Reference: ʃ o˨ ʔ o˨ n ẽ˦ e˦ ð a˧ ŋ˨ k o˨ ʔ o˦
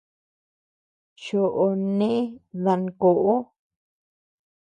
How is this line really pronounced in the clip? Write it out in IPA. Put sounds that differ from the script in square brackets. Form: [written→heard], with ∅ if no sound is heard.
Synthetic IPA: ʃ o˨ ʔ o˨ n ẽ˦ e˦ ð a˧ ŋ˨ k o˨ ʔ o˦